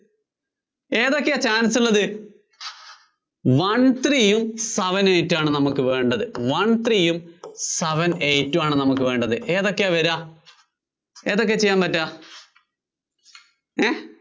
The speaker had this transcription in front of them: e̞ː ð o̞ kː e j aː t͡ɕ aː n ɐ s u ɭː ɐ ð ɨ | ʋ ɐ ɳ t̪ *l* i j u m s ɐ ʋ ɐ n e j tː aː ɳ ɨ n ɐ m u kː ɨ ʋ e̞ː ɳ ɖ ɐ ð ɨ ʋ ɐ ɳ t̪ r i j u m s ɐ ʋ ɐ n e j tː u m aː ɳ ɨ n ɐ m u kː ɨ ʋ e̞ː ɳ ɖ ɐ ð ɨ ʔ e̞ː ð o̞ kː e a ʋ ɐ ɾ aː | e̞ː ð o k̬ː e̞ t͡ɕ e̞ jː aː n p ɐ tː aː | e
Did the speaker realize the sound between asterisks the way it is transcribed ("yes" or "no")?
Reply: no